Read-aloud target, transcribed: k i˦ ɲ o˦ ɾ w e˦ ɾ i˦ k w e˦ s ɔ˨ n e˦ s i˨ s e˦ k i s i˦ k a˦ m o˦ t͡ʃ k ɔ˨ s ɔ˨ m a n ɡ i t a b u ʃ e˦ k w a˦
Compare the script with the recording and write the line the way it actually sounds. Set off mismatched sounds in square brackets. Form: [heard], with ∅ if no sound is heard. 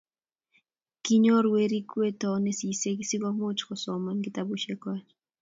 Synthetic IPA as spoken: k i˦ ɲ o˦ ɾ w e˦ ɾ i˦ k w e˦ [t] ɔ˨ n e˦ s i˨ s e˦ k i s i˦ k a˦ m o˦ t͡ʃ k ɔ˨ s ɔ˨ m a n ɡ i t a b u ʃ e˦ k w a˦

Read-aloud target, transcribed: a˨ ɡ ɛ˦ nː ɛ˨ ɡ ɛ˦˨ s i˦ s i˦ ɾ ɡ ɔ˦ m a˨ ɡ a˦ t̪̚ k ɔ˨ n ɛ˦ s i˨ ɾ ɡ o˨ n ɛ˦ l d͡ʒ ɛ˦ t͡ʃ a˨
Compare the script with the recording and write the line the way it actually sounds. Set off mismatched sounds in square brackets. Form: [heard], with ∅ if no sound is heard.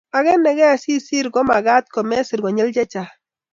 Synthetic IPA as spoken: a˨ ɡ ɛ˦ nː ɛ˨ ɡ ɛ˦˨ s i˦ s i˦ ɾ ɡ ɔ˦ m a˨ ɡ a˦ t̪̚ k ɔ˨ [m] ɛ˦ s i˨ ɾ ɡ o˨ [ɲ] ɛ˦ l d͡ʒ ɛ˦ t͡ʃ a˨

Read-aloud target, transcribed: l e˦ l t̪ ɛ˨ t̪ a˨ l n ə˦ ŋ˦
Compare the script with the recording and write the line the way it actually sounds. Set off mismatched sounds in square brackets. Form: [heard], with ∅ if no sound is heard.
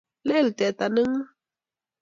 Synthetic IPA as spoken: l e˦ l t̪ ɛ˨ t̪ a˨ [∅] n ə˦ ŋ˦

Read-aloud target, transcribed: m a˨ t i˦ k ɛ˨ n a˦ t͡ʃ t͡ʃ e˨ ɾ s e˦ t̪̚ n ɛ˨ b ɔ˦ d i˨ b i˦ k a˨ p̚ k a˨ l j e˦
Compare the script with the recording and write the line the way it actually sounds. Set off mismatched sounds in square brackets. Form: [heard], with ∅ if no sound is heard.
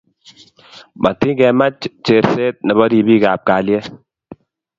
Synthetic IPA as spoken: m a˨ t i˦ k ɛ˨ [m] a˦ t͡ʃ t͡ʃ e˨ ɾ s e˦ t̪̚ n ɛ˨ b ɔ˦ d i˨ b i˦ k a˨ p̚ k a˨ l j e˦

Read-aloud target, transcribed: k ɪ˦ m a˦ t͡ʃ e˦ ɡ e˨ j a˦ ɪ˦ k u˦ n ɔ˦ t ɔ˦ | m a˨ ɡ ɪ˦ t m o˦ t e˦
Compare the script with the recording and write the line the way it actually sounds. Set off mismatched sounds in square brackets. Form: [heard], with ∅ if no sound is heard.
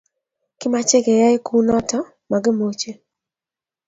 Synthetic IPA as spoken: k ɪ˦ m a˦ t͡ʃ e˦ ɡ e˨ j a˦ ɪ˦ k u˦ n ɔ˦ t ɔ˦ | m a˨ ɡ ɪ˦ [∅] m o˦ [t͡ʃ] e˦

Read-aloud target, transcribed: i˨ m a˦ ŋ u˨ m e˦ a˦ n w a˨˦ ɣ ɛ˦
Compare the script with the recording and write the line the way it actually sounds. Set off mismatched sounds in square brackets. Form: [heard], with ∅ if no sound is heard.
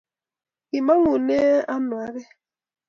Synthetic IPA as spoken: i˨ m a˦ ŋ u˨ [n] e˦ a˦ n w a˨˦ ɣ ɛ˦

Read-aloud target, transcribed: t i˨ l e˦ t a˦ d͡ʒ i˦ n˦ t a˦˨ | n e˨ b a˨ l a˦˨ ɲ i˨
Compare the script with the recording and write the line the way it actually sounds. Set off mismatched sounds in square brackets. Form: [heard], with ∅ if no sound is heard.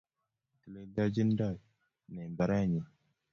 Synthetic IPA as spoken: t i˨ l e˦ [d] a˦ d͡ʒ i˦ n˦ [d] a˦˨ | n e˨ b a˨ [ɾ] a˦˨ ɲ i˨

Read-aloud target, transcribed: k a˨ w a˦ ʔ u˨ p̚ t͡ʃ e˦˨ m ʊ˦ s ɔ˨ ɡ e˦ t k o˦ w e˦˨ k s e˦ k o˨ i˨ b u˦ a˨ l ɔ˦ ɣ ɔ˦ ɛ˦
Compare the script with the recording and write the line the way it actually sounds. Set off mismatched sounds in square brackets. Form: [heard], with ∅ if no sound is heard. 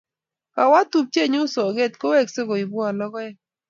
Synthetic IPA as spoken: k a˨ w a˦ [t] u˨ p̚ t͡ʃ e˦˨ [ɲ] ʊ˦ s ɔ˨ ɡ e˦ t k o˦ w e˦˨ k s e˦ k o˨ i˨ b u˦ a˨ l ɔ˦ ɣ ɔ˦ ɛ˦

